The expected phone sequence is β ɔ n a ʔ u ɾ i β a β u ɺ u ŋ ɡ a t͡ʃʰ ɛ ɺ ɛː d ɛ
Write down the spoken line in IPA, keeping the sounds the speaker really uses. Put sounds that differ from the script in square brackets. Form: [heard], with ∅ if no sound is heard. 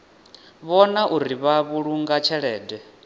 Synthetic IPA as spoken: β ɔ n a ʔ u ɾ i β a β u ɺ u ŋ ɡ a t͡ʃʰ ɛ ɺ ɛː d ɛ